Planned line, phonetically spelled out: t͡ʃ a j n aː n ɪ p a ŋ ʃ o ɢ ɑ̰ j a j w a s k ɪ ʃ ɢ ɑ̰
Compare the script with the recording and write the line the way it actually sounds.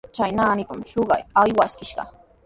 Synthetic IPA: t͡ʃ a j n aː n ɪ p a m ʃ o ɢ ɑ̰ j a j w a s k ɪ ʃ ɢ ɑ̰